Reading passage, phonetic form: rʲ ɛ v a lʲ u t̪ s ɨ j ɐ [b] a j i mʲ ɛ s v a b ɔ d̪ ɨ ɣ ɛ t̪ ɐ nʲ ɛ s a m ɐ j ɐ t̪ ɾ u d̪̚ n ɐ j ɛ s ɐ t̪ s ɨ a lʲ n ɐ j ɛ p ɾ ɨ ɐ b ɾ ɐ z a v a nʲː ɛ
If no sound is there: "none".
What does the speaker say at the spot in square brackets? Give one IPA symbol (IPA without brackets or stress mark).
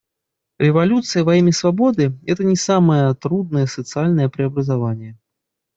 v